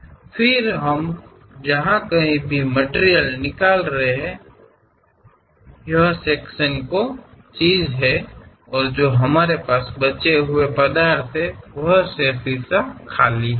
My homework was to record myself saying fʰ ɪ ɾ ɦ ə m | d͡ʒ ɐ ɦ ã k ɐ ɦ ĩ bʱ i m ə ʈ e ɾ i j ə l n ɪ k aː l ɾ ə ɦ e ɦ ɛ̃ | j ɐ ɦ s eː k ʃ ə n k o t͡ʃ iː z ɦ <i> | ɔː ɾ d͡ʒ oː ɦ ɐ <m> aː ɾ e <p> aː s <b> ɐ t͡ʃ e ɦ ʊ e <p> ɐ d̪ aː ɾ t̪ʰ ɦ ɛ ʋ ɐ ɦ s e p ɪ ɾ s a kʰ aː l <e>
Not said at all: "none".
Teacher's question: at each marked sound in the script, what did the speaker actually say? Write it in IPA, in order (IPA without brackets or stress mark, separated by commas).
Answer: ɛ, m, p, b, p, i